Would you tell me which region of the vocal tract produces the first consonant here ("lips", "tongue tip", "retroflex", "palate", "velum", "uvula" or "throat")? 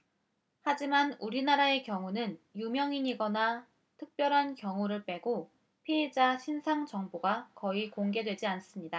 throat